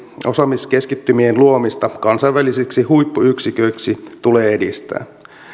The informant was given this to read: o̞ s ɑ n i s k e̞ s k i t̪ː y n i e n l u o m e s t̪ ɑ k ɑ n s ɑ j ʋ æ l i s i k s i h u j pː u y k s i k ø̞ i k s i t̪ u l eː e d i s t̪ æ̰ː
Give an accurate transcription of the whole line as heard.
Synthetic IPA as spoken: o̞ s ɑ m i s k e̞ s k i t̪ː y m i e n l u o m i s t̪ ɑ k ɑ n s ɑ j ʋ æ l i s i k s i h u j pː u y k s i k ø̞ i k s i t̪ u l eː e d i s t̪ æ̰ː